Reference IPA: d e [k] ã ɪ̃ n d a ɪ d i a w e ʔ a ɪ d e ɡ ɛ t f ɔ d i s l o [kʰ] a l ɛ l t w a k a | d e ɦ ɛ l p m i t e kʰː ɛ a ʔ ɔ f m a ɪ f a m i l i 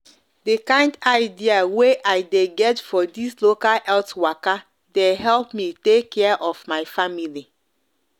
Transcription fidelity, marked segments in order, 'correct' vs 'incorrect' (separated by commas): correct, incorrect